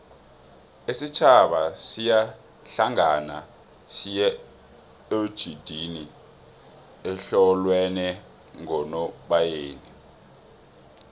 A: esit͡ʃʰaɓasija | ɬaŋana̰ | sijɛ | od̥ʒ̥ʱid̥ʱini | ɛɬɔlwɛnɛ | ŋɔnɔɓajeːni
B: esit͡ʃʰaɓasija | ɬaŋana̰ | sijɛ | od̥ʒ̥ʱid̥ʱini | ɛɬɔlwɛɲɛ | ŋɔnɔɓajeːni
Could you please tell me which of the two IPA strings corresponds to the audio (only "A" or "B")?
A